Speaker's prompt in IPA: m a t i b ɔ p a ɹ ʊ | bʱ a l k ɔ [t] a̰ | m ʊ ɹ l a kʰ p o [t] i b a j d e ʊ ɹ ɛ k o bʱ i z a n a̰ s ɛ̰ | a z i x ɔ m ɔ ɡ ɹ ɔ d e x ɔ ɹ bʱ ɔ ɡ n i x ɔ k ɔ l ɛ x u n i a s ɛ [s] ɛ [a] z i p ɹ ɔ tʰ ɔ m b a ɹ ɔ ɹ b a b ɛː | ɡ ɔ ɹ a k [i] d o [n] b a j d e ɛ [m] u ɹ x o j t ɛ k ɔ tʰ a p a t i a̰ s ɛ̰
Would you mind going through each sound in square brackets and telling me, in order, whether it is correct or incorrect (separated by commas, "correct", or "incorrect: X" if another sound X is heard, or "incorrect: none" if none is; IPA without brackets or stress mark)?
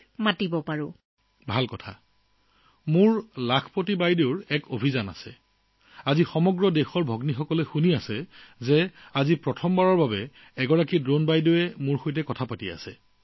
incorrect: tʰ, correct, incorrect: z, correct, correct, correct, correct